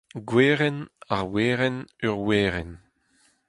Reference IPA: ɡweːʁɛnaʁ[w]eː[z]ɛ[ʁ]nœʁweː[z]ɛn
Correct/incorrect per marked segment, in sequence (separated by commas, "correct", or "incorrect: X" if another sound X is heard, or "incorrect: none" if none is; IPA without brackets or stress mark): correct, incorrect: ʁ, incorrect: none, incorrect: ʁ